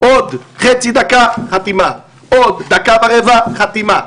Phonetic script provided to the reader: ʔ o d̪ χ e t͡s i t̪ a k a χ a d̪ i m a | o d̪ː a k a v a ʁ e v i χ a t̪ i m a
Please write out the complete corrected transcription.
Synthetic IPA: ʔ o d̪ χ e t͡s i d̪ a k a χ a t̪ i m a | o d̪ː a k a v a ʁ e v a χ a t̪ i m a